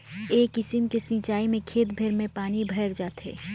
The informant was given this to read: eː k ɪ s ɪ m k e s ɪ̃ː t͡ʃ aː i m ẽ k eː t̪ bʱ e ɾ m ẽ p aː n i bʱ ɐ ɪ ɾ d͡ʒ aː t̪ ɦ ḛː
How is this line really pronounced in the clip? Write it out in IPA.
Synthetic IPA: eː k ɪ s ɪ m k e s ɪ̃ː t͡ʃ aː i m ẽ kʰ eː t̪ bʱ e ɾ m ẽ p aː n i bʱ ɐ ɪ ɾ d͡ʒ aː t̪ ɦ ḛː